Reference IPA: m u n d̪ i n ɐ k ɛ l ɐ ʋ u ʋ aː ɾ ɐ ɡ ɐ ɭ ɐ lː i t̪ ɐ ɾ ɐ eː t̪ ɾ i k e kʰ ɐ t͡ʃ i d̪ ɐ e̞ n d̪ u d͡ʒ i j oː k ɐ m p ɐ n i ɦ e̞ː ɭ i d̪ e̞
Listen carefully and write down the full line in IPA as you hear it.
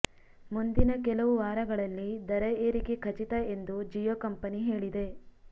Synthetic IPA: m u n d̪ i n ɐ k ɛ l ɐ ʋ u ʋ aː ɾ ɐ ɡ ɐ ɭ ɐ lː i d̪ ɐ ɾ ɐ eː ɾ i k e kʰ ɐ t͡ʃ i t̪ ɐ e̞ n d̪ u d͡ʒ i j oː k ɐ m p ɐ n i ɦ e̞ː ɭ i d̪ e̞

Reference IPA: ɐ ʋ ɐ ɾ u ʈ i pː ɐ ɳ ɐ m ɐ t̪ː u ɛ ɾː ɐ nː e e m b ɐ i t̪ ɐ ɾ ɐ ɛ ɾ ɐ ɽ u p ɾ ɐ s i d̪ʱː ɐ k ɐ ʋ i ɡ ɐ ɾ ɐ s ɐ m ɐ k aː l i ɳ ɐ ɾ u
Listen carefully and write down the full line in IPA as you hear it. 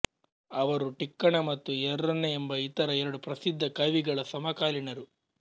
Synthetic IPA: ɐ ʋ ɐ ɾ u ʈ i kː ɐ ɳ ɐ m ɐ t̪ː u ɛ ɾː ɐ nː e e m b ɐ i t̪ ɐ ɾ ɐ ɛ ɾ ɐ ɽ u p ɾ ɐ s i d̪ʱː ɐ k ɐ ʋ i ɡ ɐ ɭ ɐ s ɐ m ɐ k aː l i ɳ ɐ ɾ u

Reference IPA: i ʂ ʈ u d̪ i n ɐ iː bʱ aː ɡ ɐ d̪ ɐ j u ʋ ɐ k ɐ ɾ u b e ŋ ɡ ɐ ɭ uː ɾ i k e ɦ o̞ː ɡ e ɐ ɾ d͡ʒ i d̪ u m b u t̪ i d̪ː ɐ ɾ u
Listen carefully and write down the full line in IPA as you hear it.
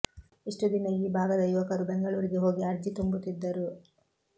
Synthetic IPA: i ʂ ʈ u d̪ i n ɐ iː bʱ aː ɡ ɐ d̪ ɐ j u ʋ ɐ k ɐ ɾ u b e ŋ ɡ ɐ ɭ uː ɾ i ɡ e ɦ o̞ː ɡ i ɐ ɾ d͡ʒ i t̪ u m b u t̪ i d̪ː ɐ ɾ u

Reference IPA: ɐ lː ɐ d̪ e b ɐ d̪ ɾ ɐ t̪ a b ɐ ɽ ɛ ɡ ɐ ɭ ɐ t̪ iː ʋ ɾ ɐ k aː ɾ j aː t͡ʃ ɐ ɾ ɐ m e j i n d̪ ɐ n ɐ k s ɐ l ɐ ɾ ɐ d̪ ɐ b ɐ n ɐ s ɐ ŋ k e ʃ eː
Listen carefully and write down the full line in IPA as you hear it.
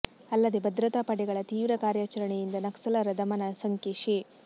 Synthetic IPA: ɐ lː ɐ d̪ e b ɐ d̪ ɾ ɐ t̪ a p ɐ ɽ ɛ ɡ ɐ ɭ ɐ t̪ iː ʋ ɾ ɐ k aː ɾ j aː t͡ʃ ɐ ɾ ɐ ɳ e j i n d̪ ɐ n ɐ k s ɐ l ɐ ɾ ɐ d̪ ɐ m ɐ n ɐ s ɐ ŋ k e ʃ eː

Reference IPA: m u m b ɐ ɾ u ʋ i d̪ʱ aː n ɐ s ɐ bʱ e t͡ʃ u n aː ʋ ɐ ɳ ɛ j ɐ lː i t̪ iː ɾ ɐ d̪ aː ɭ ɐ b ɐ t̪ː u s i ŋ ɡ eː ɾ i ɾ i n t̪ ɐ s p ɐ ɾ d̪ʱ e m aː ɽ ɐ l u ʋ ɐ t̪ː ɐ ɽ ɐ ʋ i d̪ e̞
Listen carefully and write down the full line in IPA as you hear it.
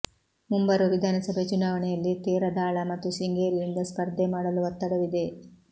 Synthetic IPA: m u m b ɐ ɾ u ʋ i d̪ʱ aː n ɐ s ɐ bʱ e t͡ʃ u n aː ʋ ɐ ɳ ɛ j ɐ lː i t̪ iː ɾ ɐ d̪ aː ɭ ɐ m ɐ t̪ː u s i ŋ ɡ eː ɾ i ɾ i n d̪ ɐ s p ɐ ɾ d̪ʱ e m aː ɽ ɐ l u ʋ ɐ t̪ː ɐ ɽ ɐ ʋ i d̪ e̞

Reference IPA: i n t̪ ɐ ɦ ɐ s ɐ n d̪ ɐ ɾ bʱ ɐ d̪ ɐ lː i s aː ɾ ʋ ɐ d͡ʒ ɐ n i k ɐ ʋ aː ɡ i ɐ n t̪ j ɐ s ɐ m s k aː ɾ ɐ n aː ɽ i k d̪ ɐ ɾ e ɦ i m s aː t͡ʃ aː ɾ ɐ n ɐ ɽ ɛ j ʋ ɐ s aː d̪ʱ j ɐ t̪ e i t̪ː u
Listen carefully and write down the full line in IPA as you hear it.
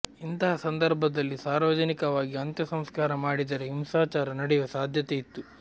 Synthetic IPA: i n t̪ ɐ ɦ ɐ s ɐ n d̪ ɐ ɾ bʱ ɐ d̪ ɐ lː i s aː ɾ ʋ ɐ d͡ʒ ɐ n i k ɐ ʋ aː ɡ i ɐ n t̪ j ɐ s ɐ m s k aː ɾ ɐ m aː ɽ i d̪ ɐ ɾ e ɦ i m s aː t͡ʃ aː ɾ ɐ n ɐ ɽ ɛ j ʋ ɐ s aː d̪ʱ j ɐ t̪ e i t̪ː u

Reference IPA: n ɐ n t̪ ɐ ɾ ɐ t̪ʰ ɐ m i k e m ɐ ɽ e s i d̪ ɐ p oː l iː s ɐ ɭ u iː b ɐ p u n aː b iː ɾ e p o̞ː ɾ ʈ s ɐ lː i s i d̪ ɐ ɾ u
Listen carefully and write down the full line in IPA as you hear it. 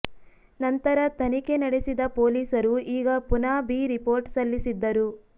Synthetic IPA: n ɐ n t̪ ɐ ɾ ɐ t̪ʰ ɐ n i k e n ɐ ɽ e s i d̪ ɐ p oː l iː s ɐ ɾ u iː ɡ ɐ p u n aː b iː ɾ i p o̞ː ɾ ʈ s ɐ lː i s i d̪ː ɐ ɾ u

